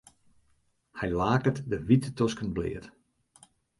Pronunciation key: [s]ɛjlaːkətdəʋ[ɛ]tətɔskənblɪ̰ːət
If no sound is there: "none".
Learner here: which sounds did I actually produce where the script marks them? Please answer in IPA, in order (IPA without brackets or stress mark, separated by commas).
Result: h, i